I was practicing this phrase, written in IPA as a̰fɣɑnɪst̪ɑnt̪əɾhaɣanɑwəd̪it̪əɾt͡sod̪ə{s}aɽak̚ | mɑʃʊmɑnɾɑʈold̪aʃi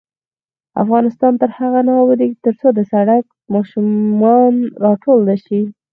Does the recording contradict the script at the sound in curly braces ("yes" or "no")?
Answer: no